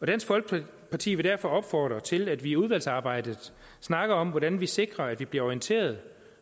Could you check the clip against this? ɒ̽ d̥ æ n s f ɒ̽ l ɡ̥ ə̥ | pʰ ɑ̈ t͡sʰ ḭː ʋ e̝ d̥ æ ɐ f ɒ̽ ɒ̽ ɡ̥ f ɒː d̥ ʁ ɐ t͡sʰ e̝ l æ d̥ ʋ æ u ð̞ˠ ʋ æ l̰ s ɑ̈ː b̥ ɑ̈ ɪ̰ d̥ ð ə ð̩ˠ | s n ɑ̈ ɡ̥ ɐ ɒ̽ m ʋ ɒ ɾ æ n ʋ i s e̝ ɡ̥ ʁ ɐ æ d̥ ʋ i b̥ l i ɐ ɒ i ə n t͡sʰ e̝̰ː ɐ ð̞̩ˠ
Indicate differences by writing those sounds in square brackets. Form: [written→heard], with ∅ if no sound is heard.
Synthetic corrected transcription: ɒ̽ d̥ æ n s f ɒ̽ l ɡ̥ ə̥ | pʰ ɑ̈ t͡sʰ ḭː ʋ e̝ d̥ æ ɐ f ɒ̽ ɒ̽ [ɡ̥→b̥] f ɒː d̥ ʁ ɐ t͡sʰ e̝ l æ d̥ ʋ [æ→i] u ð̞ˠ ʋ æ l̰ s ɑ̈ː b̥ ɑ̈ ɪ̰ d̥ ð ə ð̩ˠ | s n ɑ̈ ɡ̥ ɐ ɒ̽ m ʋ ɒ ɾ æ n ʋ i s e̝ ɡ̥ ʁ ɐ æ d̥ ʋ i b̥ l i ɐ ɒ i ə n t͡sʰ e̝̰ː ɐ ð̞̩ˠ